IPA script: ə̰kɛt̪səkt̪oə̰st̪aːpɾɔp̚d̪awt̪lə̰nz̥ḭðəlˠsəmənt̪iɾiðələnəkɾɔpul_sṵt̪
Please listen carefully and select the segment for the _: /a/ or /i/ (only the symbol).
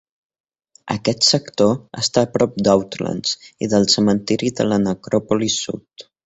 i